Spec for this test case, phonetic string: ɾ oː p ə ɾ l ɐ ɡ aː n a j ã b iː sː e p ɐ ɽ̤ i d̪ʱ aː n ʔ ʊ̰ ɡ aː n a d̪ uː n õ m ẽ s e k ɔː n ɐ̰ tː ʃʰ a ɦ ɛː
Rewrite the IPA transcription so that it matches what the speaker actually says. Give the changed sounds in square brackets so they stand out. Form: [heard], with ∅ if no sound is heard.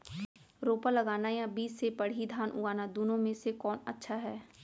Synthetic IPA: ɾ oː p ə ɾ l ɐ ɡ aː n a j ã b iː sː e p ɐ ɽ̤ i d̪ʱ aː n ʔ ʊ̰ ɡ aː n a d̪ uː n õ m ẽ s e k ɔː n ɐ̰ tː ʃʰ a ɦ ɛː